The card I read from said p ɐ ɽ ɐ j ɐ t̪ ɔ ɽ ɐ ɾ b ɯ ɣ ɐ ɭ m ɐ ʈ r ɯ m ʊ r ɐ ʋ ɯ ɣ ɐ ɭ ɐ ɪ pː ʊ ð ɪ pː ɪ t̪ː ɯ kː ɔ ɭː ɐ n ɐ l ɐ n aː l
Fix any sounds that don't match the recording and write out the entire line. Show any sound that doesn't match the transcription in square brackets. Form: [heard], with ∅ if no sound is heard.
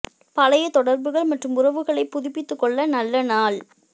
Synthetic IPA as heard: p ɐ [l] ɐ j ɐ t̪ ɔ ɽ ɐ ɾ b ɯ ɣ ɐ ɭ m ɐ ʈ r ɯ m ʊ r ɐ ʋ ɯ ɣ ɐ ɭ ɐ ɪ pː ʊ ð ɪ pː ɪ t̪ː ɯ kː ɔ ɭː ɐ n ɐ [lː] ɐ n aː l